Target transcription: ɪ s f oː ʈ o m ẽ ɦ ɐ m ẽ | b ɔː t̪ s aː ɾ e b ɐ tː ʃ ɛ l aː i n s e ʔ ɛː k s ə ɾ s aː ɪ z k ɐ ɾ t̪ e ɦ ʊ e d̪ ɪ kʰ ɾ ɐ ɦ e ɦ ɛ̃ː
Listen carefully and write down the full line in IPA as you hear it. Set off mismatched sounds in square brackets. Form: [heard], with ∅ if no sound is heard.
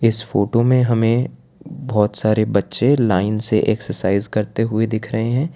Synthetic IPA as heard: ɪ s f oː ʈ o m ẽ ɦ ɐ m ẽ | b ɔː t̪ s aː ɾ e b ɐ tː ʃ [e] l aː [ɪ] n s e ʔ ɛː k s ə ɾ s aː ɪ z k ɐ ɾ t̪ e ɦ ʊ e d̪ ɪ kʰ ɾ ɐ ɦ e ɦ ɛ̃ː